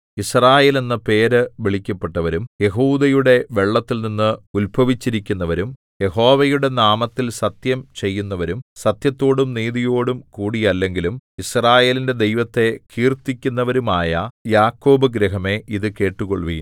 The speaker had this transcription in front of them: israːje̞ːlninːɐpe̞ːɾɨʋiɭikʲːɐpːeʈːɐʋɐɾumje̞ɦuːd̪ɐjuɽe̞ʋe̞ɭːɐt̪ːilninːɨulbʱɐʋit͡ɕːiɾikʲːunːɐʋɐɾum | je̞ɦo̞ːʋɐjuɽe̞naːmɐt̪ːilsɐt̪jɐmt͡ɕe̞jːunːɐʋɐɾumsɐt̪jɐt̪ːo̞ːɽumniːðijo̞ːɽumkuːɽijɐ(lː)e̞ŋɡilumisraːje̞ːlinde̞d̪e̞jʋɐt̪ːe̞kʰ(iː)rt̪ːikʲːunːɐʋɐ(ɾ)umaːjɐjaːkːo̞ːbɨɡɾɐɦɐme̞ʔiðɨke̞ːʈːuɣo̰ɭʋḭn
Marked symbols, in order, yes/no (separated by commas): yes, yes, yes